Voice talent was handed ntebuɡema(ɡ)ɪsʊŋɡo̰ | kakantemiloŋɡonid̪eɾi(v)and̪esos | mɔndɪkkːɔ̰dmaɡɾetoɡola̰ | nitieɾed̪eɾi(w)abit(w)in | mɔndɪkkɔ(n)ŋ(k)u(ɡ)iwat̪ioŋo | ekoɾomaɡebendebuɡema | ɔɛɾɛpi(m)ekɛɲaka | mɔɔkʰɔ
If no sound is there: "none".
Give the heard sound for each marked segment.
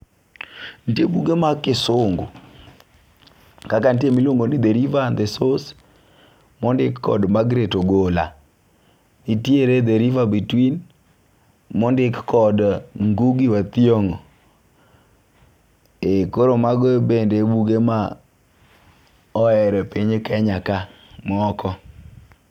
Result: k, v, v, w, d, ɡ, ɡ, ɲ

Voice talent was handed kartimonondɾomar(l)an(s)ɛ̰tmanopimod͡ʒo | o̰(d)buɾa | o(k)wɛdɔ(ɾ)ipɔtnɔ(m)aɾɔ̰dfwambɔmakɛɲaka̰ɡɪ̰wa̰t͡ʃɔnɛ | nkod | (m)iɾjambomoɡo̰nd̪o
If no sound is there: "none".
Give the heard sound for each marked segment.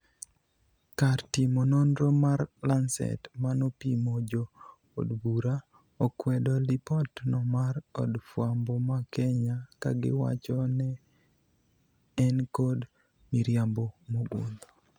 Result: l, s, d, k, l, m, m

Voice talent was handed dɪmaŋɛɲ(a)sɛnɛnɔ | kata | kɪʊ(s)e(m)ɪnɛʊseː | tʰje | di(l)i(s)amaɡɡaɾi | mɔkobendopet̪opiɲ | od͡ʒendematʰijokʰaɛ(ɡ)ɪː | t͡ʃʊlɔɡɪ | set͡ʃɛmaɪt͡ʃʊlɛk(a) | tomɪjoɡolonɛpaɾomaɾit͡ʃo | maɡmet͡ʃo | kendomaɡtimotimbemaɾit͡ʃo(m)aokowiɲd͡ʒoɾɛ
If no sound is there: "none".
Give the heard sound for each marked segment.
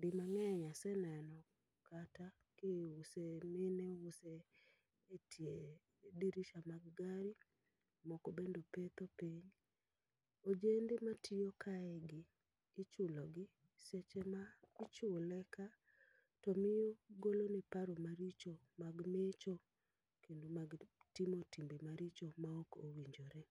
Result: a, s, m, ɾ, ʃ, ɡ, a, m

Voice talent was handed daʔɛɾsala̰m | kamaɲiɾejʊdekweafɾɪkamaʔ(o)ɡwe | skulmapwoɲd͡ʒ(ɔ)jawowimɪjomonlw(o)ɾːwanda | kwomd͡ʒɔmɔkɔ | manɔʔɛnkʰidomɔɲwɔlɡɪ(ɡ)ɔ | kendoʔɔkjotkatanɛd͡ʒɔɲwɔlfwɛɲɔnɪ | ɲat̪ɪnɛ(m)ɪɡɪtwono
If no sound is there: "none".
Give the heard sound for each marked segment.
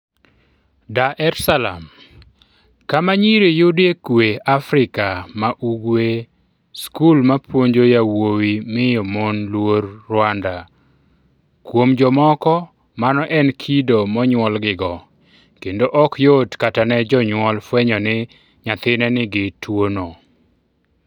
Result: u, o, o, ɡ, n

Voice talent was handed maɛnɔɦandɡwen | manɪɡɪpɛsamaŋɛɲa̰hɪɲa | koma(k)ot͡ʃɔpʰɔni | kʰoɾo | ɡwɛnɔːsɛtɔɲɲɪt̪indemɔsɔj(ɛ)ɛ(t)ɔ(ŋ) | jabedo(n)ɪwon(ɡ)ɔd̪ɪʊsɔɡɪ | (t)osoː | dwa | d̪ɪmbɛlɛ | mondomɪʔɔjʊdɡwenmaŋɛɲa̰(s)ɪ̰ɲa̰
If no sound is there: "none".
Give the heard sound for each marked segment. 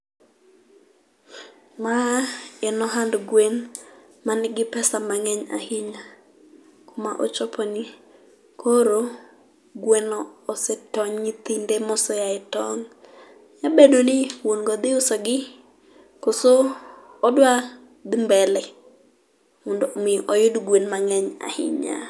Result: ʔ, a, t, ŋ, n, ɡ, k, h

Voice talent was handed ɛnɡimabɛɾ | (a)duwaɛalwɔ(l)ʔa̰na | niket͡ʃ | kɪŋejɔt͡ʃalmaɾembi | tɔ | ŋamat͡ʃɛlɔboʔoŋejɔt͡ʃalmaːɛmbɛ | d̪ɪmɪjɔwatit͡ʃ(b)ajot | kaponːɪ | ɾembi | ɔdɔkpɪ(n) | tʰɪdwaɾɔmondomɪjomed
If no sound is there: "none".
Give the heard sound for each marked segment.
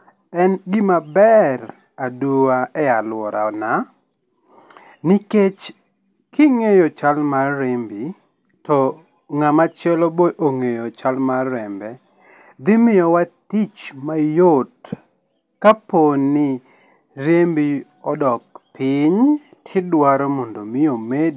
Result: a, ɾ, m, ɲ

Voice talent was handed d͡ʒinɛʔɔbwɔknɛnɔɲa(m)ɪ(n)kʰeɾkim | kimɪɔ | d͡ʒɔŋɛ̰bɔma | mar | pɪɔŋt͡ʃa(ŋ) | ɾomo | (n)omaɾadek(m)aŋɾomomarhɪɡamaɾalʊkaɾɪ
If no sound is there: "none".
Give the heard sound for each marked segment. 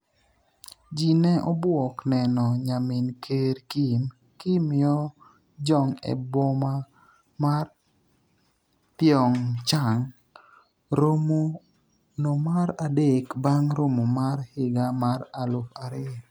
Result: m, n, ŋ, n, b

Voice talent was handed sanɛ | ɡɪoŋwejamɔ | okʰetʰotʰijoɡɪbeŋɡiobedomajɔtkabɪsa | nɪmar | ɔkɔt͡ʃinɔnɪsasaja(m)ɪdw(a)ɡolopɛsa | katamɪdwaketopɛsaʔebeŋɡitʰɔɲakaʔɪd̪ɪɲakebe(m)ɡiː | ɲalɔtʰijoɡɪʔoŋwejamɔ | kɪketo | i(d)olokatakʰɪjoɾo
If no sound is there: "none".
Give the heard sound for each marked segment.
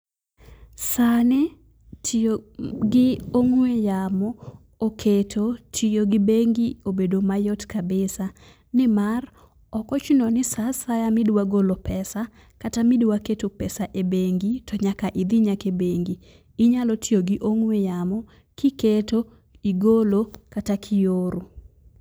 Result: m, a, ŋ, ɡ

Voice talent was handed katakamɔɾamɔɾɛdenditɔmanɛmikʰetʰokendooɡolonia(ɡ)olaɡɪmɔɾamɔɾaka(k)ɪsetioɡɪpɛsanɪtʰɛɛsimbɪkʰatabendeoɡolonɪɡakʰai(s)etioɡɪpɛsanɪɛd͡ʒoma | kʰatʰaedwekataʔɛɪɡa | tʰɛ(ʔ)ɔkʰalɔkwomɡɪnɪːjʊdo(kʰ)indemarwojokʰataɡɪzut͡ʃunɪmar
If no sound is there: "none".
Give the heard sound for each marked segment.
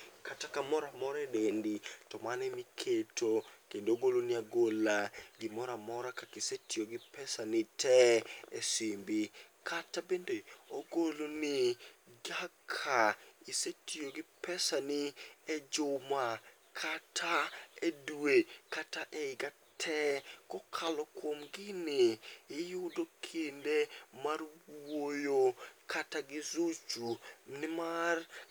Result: ɡ, k, s, k, kʰ

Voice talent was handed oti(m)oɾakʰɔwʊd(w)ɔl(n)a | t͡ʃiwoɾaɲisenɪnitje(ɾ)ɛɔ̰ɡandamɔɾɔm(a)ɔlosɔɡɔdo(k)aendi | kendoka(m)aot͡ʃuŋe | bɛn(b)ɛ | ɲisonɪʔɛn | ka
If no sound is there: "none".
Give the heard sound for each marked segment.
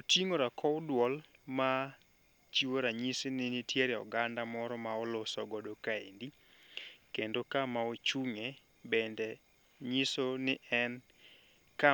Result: ŋ, w, m, ɾ, a, k, m, d

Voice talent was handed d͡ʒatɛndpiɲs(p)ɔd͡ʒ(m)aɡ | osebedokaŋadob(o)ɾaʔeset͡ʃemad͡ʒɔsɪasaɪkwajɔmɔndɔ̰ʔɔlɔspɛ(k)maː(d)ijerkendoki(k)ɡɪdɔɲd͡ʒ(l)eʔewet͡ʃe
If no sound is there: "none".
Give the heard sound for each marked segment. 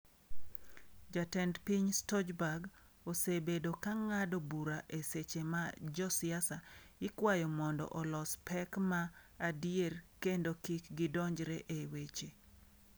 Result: t, b, u, k, d, k, ɾ

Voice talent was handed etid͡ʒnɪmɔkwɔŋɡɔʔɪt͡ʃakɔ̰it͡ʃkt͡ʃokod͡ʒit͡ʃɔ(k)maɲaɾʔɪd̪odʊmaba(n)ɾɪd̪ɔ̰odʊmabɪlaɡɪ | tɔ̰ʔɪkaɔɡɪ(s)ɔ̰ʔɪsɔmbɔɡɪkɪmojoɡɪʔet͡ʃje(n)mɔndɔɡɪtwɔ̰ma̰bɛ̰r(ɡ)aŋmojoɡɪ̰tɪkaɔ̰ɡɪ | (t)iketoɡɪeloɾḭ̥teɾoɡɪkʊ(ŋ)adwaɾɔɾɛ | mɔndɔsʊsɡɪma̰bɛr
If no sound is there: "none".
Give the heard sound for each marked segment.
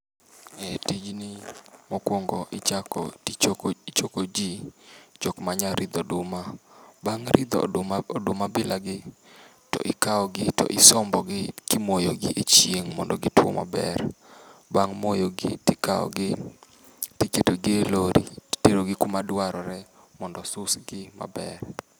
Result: k, ŋ, t, ŋ, b, t, m

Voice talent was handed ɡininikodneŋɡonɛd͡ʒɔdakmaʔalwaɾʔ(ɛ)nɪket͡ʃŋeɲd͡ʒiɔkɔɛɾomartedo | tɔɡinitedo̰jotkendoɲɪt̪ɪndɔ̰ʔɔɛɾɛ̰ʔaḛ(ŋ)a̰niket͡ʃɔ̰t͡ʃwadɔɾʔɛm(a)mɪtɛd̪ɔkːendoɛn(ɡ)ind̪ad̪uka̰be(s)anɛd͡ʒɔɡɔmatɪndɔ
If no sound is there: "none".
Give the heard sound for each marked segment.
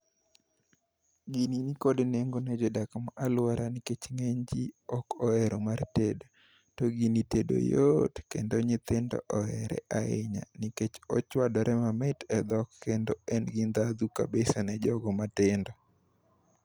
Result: a, ɲ, a, ɡ, s

